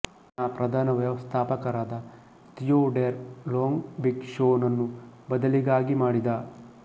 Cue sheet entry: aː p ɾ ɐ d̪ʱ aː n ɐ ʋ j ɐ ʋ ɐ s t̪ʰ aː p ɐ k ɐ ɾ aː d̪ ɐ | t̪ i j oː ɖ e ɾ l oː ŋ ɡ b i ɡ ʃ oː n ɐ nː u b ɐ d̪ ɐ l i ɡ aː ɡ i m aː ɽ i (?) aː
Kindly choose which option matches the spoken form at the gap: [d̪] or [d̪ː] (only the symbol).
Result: d̪